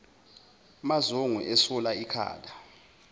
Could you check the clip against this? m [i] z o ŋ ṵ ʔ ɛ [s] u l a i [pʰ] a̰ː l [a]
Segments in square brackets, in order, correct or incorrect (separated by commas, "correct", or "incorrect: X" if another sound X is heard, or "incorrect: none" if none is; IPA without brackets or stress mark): incorrect: a, correct, incorrect: kʰ, correct